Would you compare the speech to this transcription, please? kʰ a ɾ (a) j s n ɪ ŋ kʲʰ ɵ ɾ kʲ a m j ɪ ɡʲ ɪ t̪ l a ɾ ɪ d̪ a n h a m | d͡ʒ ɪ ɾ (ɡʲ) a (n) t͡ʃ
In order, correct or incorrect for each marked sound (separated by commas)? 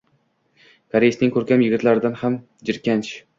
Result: incorrect, incorrect, correct